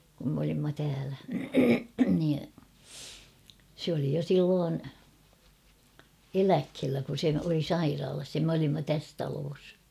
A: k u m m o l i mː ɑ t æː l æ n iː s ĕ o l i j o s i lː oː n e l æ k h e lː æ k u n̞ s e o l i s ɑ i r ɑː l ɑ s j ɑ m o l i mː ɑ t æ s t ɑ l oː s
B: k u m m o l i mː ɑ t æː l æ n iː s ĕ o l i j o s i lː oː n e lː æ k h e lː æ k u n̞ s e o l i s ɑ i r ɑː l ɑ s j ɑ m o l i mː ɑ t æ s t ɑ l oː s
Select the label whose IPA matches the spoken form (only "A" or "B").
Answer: A